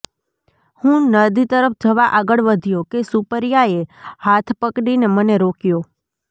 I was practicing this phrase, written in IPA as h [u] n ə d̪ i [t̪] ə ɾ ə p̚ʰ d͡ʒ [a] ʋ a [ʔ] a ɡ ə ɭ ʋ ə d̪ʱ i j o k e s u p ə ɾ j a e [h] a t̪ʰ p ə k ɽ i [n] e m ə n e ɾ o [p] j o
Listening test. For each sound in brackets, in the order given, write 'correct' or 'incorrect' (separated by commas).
incorrect, correct, incorrect, correct, correct, correct, incorrect